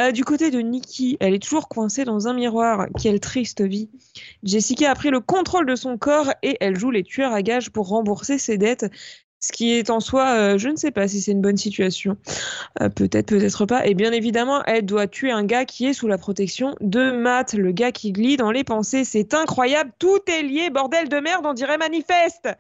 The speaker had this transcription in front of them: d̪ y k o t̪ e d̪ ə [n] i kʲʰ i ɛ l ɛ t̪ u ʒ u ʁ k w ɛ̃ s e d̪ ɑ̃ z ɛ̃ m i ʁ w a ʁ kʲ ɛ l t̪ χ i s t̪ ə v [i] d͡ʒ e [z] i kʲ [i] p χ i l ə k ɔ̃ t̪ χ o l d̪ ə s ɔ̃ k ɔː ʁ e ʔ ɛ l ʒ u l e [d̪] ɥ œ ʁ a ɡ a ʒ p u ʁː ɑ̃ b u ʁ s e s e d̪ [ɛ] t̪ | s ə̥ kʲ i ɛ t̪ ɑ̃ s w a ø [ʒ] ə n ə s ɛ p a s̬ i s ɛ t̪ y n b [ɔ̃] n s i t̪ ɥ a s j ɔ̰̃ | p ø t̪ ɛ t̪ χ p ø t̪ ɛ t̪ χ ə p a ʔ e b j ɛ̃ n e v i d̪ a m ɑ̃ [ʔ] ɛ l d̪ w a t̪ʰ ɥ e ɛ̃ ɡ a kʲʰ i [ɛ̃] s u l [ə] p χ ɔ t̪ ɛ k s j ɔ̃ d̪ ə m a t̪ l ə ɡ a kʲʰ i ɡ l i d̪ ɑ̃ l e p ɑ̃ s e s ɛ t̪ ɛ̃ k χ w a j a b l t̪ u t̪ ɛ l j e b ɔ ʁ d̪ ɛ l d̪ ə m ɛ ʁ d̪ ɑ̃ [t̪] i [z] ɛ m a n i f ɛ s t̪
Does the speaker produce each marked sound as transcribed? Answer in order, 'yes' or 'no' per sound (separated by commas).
yes, yes, no, no, no, yes, yes, no, yes, no, no, no, no